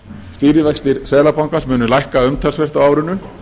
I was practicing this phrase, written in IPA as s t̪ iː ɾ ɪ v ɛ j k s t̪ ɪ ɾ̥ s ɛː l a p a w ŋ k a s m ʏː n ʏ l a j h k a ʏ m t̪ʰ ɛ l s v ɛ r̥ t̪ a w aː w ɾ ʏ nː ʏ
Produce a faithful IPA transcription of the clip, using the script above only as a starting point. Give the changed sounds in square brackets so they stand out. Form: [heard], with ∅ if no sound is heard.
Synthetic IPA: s t̪ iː ɾ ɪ v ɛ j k s t̪ ɪ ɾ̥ s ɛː l a p a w ŋ k a s m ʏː n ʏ l a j h k a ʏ m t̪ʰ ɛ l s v ɛ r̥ t̪ a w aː w ɾ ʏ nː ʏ